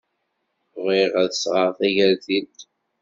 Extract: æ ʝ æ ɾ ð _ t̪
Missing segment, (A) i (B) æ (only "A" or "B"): A